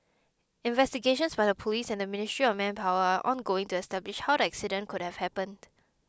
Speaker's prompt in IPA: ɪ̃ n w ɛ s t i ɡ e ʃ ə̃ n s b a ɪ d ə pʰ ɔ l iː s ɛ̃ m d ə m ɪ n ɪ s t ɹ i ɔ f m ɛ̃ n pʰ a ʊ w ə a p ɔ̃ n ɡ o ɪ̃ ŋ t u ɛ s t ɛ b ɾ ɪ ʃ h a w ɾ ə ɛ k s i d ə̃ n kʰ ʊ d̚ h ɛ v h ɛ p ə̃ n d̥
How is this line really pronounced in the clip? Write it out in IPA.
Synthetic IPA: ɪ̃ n v ɛ s t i ɡ e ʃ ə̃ n s b a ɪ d ə pʰ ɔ l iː s ɛ̃ n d ə m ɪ n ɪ s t ɹ i ɔ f m ɛ̃ n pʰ a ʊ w ə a ʔ ɔ̃ n ɡ o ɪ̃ ŋ t u ɛ s t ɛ b l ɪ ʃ h a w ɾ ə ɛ k s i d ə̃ n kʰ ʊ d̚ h ɛ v h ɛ p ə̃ n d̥